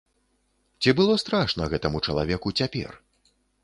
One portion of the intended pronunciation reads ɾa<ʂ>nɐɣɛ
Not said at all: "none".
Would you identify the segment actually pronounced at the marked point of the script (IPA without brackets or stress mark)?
ʂ